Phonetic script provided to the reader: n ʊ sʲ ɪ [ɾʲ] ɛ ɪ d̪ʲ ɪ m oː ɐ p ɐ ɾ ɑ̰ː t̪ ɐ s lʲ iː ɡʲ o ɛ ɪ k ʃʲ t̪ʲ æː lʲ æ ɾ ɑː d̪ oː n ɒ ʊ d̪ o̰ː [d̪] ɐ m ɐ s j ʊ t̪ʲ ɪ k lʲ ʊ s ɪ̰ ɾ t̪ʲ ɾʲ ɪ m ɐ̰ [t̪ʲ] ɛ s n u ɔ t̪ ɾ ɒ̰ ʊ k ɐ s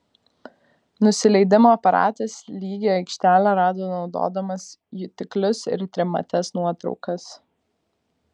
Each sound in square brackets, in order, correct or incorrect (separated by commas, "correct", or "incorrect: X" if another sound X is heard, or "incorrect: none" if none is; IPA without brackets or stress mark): incorrect: lʲ, correct, correct